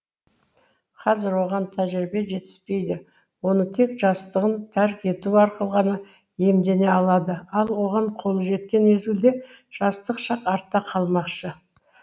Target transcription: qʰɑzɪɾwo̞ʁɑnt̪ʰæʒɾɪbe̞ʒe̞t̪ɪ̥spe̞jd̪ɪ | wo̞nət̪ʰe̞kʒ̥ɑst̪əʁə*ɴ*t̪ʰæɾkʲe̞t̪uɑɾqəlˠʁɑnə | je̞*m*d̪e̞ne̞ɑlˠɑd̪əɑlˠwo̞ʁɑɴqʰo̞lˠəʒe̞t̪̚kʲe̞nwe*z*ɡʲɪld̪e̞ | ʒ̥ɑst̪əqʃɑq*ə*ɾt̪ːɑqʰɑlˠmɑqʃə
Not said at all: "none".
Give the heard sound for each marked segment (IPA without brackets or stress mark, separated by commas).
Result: n, m, z, ɑ